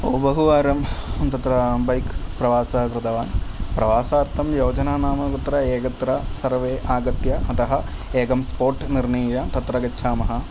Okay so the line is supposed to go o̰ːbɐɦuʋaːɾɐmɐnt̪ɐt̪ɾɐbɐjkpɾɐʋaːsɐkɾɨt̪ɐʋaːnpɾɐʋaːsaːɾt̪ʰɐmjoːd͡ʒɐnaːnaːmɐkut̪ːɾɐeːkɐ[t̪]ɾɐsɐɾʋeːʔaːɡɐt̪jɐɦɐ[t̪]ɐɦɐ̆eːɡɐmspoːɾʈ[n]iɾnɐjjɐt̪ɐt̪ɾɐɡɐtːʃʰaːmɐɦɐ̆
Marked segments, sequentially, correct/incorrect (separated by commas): correct, correct, correct